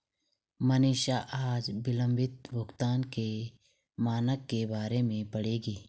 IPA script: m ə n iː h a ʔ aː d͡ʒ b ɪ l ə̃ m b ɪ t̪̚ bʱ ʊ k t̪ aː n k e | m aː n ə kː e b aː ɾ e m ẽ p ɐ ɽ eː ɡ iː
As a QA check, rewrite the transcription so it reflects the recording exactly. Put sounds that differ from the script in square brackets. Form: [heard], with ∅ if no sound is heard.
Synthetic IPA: m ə n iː [ʃ] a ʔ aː d͡ʒ b ɪ l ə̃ m b ɪ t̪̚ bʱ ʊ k t̪ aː n k e | m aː n ə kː e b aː ɾ e m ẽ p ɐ ɽ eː ɡ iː